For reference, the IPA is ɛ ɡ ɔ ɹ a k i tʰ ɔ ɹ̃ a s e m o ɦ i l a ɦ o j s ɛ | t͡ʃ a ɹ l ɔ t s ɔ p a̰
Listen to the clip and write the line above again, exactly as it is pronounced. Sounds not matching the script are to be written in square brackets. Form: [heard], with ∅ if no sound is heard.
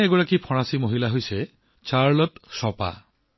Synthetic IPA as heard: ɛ ɡ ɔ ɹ a k i [pʰ] ɔ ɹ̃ a s [i] m o ɦ i l a ɦ o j s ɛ | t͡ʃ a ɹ l ɔ t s ɔ p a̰